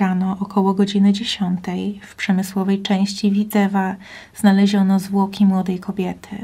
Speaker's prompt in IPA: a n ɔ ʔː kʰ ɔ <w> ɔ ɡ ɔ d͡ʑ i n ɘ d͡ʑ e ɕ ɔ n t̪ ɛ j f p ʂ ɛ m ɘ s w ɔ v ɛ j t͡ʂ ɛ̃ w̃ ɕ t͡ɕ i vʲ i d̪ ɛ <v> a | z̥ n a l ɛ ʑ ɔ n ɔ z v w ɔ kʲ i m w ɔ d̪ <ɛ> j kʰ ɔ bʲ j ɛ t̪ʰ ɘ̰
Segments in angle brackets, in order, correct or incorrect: correct, correct, correct

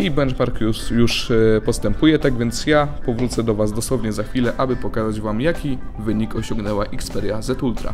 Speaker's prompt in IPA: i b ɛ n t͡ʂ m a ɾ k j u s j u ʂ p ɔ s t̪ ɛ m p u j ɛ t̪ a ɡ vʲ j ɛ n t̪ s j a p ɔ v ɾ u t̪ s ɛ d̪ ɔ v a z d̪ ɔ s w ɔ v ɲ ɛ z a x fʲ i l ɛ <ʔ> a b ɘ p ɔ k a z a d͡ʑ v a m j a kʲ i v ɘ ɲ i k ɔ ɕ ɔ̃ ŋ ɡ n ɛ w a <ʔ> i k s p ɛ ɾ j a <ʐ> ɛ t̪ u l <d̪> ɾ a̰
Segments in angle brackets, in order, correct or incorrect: correct, correct, incorrect, incorrect

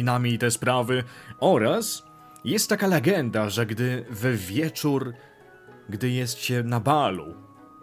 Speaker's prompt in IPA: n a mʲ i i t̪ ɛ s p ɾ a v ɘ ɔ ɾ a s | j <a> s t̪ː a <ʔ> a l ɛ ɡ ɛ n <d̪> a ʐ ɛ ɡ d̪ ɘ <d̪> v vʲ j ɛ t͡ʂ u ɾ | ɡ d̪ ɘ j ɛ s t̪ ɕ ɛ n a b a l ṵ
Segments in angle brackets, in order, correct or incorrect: incorrect, incorrect, correct, incorrect

